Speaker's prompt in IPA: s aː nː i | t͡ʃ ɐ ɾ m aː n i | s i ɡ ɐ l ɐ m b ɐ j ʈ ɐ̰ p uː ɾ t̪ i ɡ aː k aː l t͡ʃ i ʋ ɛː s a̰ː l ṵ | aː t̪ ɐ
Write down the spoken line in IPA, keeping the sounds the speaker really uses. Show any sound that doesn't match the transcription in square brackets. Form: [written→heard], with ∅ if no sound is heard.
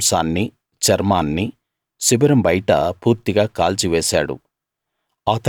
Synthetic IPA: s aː nː i | t͡ʃ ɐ ɾ m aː [n→nː] i | s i [ɡ→b] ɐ [l→ɾ] ɐ m b ɐ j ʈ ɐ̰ p uː ɾ t̪ i ɡ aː k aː l t͡ʃ i ʋ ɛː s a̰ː [l→ɽ] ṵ | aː t̪ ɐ